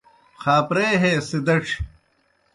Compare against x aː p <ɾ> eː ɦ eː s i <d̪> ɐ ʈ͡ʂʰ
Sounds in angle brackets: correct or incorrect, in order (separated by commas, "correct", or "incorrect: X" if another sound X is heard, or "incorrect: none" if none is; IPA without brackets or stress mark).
correct, correct